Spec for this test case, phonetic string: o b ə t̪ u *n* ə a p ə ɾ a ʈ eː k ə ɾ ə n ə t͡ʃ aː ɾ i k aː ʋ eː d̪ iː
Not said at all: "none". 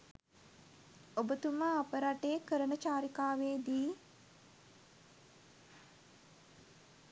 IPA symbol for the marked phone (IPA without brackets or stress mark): m